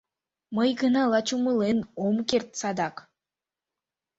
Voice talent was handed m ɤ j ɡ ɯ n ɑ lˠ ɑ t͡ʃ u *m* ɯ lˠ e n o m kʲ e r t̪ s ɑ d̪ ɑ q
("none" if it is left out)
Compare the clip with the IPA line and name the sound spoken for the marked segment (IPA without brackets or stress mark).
m